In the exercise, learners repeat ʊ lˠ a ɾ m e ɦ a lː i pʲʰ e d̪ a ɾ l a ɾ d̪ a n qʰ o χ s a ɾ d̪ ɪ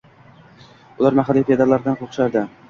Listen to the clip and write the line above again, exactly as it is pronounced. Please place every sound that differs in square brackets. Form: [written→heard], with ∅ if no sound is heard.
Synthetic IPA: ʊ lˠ a ɾ m [e→a] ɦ a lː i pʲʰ e d̪ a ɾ l a ɾ d̪ a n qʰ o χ [s→ʃ] a ɾ d̪ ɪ